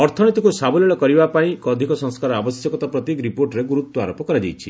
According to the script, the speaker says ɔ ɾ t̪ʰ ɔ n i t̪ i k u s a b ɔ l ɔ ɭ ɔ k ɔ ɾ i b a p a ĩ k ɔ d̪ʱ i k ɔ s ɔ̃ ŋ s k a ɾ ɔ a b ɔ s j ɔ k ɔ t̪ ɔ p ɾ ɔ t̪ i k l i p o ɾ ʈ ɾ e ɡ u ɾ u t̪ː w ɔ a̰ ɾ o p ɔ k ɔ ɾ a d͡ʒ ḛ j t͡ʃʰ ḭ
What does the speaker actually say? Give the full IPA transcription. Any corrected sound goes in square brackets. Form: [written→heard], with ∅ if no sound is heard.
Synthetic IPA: ɔ ɾ t̪ʰ ɔ n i t̪ i k u s a b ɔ l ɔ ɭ ɔ k ɔ ɾ i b a p a ĩ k ɔ d̪ʱ i k ɔ s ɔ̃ ŋ s k a ɾ ɔ a b ɔ s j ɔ k ɔ t̪ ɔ p ɾ ɔ t̪ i k [l→ɾ] i p o ɾ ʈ ɾ e ɡ u ɾ u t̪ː w ɔ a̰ ɾ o p ɔ k ɔ ɾ a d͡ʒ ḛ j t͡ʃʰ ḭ